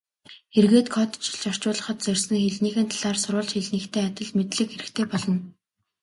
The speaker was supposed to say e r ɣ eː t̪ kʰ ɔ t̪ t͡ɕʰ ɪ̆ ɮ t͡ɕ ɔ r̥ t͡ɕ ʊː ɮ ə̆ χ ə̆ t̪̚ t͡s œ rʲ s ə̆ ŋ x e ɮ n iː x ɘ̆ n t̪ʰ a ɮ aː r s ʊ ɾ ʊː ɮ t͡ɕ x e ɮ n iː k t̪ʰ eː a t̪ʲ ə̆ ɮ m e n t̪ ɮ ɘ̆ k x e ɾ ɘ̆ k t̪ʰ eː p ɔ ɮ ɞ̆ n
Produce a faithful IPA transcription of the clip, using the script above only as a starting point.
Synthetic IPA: e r ɣ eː t̪ kʰ ɔ t̪ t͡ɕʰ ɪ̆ ɮ t͡ɕ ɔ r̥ t͡ɕ ʊː ɮ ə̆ χ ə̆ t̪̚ t͡s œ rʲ s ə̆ ŋ x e ɮ n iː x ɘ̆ n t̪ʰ a ɮ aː r s ʊ ɾ ʊː ɮ t͡ɕ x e ɮ n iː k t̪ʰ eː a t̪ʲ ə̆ ɮ m e t̪ ɮ ɘ̆ k x e ɾ ɘ̆ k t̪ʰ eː p ɔ ɮ ɞ̆ n